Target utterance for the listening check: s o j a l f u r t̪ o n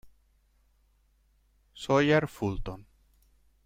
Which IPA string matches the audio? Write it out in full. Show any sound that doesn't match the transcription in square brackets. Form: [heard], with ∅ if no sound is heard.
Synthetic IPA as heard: s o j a [ɾ] f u [l] t̪ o n